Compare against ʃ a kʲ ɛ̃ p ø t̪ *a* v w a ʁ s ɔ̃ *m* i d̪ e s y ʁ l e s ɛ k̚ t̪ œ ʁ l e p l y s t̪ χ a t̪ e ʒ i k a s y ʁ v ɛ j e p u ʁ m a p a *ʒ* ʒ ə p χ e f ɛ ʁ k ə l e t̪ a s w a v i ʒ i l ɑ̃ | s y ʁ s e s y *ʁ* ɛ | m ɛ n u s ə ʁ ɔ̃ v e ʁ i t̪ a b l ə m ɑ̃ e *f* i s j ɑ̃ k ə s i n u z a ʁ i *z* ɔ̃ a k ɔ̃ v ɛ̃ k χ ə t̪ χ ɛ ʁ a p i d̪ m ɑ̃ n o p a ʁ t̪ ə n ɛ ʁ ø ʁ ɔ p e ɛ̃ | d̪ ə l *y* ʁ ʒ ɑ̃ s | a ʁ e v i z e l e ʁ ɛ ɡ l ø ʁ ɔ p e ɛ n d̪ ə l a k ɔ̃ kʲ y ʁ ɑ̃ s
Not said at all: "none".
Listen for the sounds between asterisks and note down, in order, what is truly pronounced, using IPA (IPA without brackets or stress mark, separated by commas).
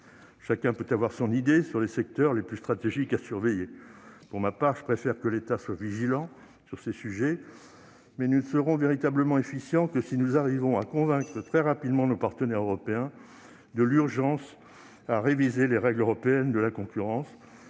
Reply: a, n, ʁ, ʒ, f, v, y